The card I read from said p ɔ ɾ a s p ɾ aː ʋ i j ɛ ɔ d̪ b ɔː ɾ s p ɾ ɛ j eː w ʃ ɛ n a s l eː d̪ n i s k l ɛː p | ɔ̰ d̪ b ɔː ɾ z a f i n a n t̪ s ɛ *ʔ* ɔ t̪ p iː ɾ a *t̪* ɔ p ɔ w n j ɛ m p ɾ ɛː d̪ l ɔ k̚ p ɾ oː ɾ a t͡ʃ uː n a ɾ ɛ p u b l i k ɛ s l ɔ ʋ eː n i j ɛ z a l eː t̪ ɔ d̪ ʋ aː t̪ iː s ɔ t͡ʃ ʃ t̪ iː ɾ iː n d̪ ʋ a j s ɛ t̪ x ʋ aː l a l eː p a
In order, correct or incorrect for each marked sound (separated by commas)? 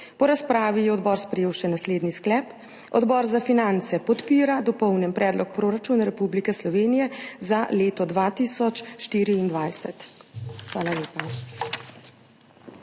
incorrect, incorrect